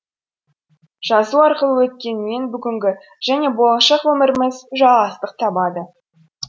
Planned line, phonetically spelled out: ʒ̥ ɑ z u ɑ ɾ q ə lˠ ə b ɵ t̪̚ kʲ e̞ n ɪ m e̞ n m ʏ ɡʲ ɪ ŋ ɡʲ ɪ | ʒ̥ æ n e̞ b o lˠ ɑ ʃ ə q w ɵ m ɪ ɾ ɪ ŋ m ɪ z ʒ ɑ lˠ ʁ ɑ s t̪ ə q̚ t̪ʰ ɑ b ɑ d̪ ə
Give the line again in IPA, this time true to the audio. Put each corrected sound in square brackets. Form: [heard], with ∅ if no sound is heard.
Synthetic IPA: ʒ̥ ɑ z u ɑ ɾ q ə lˠ ə [w] ɵ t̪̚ kʲ e̞ n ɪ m e̞ n [b] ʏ ɡʲ ɪ ŋ ɡʲ ɪ | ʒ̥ æ n e̞ b o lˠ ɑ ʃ [ɑ] q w ɵ m ɪ ɾ ɪ [∅] m ɪ z ʒ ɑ lˠ ʁ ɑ s t̪ ə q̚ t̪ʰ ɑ b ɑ d̪ ə

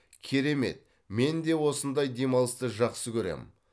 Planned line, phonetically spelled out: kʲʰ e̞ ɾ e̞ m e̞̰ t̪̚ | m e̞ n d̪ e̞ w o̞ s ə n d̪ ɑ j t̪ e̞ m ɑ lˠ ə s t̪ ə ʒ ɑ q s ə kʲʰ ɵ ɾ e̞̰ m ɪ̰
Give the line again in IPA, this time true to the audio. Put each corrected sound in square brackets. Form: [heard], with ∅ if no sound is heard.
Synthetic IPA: kʲʰ e̞ ɾ e̞ m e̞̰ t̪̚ | m e̞ n d̪ e̞ w o̞ s ə n d̪ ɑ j [d̪] e̞ m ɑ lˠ ə s t̪ ə ʒ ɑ q s ə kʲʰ ɵ ɾ e̞̰ m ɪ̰

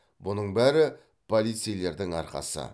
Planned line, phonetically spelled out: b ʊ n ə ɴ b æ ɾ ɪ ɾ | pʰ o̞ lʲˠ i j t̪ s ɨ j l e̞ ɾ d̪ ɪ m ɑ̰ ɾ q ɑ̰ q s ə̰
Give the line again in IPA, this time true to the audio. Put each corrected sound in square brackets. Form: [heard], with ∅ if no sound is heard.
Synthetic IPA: b ʊ n ə ɴ b æ ɾ ɪ [∅] | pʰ o̞ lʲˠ i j t̪ s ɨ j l e̞ ɾ d̪ ɪ [ŋ] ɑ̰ ɾ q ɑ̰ [∅] s ə̰

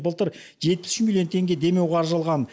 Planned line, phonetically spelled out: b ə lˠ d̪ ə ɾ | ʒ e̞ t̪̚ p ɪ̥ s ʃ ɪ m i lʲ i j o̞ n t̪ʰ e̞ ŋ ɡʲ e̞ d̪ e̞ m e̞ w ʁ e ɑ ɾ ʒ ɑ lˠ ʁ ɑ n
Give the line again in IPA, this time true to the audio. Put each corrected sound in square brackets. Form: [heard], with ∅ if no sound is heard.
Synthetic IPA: b ə lˠ [t̪] ə ɾ | ʒ e̞ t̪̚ p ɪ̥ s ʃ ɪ m i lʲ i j o̞ n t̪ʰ e̞ ŋ ɡʲ e̞ d̪ e̞ m e̞ w ʁ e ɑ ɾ ʒ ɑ lˠ ʁ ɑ n

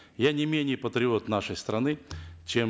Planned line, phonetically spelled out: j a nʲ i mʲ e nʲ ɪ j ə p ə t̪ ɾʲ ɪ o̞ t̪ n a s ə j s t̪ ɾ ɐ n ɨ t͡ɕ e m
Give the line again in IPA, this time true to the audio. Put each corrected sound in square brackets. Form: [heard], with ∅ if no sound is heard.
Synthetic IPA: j a nʲ [ɪ] mʲ e nʲ ɪ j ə p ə t̪ ɾʲ ɪ o̞ t̪ n a [ʂ] ə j s t̪ ɾ ɐ n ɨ t͡ɕ e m

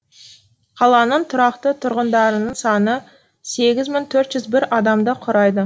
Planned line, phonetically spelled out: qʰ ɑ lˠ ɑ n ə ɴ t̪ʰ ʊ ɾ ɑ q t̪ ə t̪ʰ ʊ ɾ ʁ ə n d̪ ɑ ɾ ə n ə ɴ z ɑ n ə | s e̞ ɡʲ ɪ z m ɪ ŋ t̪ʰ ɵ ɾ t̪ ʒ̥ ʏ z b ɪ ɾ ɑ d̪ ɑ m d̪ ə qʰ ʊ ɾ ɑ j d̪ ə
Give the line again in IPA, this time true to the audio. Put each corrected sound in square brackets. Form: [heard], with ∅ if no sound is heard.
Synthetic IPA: qʰ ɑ lˠ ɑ n ə ɴ t̪ʰ ʊ ɾ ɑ q t̪ ə t̪ʰ ʊ ɾ ʁ ə n d̪ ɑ ɾ ə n ə ɴ [s] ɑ n ə | s e̞ ɡʲ ɪ z m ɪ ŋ t̪ʰ ɵ ɾ t̪ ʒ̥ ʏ z b ɪ ɾ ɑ d̪ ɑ m d̪ ə qʰ ʊ ɾ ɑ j d̪ ə

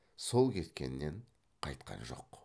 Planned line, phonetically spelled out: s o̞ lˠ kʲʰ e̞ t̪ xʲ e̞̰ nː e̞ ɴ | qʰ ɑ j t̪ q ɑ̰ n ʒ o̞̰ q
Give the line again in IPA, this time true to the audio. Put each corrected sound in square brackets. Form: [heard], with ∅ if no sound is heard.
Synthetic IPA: s o̞ lˠ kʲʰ e̞ t̪ [kʲ] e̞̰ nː e̞ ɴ | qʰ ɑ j t̪ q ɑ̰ n ʒ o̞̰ q

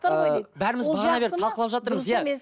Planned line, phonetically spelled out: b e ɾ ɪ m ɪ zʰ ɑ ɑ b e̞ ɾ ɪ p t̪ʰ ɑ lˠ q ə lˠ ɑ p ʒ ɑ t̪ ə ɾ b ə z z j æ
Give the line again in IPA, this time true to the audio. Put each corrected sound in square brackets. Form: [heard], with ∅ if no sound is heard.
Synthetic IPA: b [æ] ɾ ɪ m ɪ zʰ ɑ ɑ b e̞ ɾ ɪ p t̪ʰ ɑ lˠ q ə lˠ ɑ p ʒ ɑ t̪ ə ɾ [m] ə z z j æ

